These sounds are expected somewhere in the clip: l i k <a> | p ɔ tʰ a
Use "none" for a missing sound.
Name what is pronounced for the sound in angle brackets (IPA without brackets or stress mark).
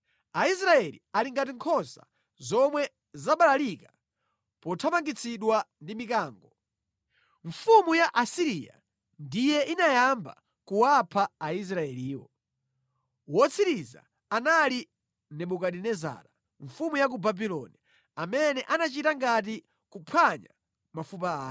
a